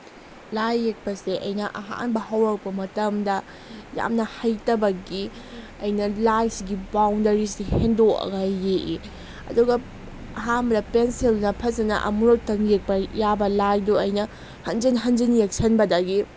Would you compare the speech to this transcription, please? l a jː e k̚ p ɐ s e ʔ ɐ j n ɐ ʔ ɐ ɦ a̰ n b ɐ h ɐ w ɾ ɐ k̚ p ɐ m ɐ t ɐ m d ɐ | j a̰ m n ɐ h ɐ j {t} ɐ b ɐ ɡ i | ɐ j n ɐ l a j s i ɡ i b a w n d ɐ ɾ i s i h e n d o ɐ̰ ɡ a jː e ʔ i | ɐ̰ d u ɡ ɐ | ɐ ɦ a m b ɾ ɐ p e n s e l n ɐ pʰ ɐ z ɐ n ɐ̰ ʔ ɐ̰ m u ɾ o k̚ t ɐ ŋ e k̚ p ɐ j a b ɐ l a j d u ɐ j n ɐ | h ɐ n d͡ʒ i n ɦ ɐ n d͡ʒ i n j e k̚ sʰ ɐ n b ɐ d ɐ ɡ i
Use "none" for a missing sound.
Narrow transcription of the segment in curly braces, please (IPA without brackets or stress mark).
t